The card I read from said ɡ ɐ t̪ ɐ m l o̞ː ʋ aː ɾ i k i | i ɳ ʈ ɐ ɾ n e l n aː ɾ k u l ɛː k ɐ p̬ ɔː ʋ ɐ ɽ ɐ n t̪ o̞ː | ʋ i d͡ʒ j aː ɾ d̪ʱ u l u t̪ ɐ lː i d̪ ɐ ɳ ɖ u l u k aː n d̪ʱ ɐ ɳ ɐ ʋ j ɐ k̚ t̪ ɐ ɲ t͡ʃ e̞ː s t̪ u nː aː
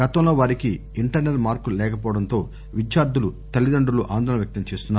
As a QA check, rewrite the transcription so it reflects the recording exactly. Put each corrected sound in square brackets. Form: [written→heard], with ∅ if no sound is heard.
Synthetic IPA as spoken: ɡ ɐ t̪ ɐ m l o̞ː ʋ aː ɾ i k i | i ɳ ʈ ɐ ɾ n e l [n→m] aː ɾ k u l ɛː k ɐ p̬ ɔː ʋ ɐ ɽ ɐ n t̪ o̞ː | ʋ i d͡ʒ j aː ɾ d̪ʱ u l u t̪ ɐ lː i d̪ ɐ ɳ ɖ u l u [k→ʔ] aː n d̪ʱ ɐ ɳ ɐ ʋ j ɐ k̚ t̪ ɐ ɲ t͡ʃ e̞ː s t̪ u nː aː

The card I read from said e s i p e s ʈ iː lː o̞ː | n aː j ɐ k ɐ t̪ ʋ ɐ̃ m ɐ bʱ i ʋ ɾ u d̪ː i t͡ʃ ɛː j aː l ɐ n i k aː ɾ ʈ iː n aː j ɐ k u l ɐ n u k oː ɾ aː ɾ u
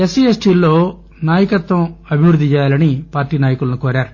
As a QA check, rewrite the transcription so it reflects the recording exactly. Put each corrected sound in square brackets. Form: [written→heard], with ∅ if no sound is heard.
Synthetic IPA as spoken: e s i [p→∅] e s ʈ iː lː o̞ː | n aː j ɐ k ɐ t̪ ʋ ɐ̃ m ɐ bʱ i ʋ ɾ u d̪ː i t͡ʃ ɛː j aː l ɐ n i [k→p] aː ɾ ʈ iː n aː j ɐ k u l ɐ n u k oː ɾ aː ɾ u

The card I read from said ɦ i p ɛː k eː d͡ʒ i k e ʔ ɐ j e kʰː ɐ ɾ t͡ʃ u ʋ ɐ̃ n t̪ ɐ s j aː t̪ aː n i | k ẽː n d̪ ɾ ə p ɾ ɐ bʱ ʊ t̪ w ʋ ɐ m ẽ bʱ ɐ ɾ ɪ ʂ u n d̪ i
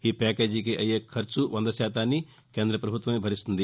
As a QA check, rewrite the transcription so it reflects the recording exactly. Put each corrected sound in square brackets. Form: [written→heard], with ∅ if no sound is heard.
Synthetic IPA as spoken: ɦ i p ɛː k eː d͡ʒ i k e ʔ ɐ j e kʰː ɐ ɾ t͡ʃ u ʋ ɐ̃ n [t̪→d̪] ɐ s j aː t̪ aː n i | k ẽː n d̪ ɾ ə p ɾ ɐ bʱ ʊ t̪ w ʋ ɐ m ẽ bʱ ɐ ɾ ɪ [ʂ→s] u n d̪ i

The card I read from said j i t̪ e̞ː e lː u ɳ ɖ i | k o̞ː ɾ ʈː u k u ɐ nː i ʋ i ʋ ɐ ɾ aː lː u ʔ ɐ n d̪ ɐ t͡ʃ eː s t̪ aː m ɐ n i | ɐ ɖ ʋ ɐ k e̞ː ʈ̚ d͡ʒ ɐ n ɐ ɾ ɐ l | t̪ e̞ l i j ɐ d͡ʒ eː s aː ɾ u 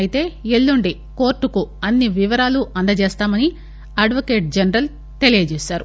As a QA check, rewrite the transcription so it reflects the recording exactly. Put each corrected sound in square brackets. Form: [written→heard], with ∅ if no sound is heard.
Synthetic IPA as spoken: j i t̪ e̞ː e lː u ɳ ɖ i | k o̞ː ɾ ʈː u k u ɐ nː i ʋ i ʋ ɐ ɾ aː [lː→l] u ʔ ɐ n d̪ ɐ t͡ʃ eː s t̪ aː m ɐ n i | ɐ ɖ ʋ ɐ k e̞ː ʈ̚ d͡ʒ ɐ n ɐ ɾ ɐ l | t̪ e̞ l i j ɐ d͡ʒ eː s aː ɾ u

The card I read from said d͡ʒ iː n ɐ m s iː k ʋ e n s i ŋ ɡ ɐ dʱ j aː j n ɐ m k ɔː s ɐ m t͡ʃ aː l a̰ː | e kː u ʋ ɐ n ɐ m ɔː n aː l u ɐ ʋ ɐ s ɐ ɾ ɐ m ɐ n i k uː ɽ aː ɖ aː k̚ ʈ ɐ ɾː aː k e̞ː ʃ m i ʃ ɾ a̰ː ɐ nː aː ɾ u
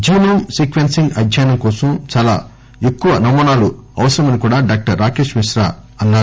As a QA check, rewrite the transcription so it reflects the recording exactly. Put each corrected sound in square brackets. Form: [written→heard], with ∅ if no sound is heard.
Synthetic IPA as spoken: d͡ʒ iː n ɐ m s iː k ʋ e n s i ŋ ɡ ɐ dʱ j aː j n ɐ m k ɔː s ɐ m t͡ʃ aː l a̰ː | e kː u ʋ ɐ n ɐ m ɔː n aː l u ɐ ʋ ɐ s ɐ ɾ ɐ m ɐ n i k uː ɽ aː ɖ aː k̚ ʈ ɐ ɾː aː k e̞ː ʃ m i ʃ ɾ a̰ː ɐ nː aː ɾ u

